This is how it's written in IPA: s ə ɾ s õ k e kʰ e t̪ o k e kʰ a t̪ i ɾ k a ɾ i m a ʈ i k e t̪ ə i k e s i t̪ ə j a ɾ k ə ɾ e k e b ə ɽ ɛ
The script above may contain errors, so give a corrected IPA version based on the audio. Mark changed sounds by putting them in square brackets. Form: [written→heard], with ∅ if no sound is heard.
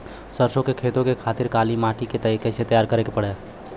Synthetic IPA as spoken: s ə ɾ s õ k e kʰ e t̪ o k e kʰ a t̪ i ɾ k a [ɾ→l] i m a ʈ i k e t̪ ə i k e s [i→e] t̪ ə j a ɾ k ə ɾ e k e [b→p] ə ɽ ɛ